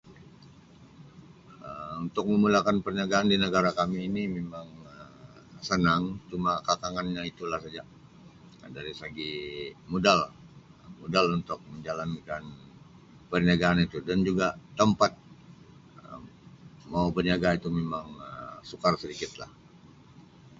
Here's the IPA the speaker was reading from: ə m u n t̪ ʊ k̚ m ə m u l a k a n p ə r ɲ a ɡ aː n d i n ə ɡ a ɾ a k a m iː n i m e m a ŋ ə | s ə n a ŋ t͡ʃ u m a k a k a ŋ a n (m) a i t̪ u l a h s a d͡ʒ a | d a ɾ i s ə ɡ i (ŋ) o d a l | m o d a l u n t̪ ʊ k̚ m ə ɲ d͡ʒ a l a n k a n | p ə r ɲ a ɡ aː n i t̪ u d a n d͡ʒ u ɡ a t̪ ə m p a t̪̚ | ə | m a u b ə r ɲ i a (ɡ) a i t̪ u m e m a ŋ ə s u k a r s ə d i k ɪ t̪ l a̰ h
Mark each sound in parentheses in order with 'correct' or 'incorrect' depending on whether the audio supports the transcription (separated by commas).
incorrect, incorrect, correct